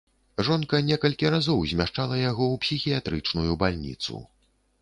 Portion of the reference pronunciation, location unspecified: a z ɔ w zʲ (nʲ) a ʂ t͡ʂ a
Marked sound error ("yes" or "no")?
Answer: yes